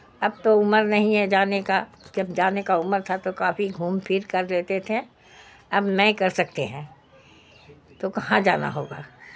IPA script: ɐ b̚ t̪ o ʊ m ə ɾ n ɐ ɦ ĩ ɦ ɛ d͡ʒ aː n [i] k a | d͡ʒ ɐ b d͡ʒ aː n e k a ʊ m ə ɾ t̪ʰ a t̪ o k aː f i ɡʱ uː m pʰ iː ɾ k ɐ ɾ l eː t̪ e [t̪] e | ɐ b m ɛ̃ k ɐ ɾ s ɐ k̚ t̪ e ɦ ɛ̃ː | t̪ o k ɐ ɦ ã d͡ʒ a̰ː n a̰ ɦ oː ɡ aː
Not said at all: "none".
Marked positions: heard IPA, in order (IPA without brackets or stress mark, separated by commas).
e, t̪ʰ